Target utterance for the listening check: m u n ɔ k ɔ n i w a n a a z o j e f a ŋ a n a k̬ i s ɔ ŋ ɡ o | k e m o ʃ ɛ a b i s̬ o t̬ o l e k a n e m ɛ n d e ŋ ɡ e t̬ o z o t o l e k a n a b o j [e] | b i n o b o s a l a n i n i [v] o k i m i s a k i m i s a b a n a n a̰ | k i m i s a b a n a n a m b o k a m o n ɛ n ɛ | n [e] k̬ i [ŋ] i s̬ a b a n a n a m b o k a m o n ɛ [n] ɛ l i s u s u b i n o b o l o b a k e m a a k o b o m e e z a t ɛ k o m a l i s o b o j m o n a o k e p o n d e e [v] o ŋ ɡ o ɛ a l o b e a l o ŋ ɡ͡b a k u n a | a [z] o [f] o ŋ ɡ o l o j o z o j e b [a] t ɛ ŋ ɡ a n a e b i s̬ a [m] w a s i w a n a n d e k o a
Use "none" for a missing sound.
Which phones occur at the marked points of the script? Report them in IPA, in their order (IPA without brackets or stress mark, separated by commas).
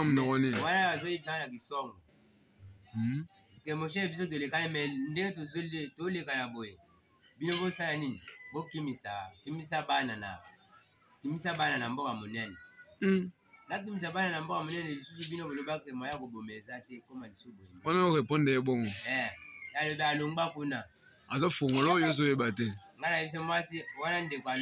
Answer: e, b, a, m, n, b, z, f, a, m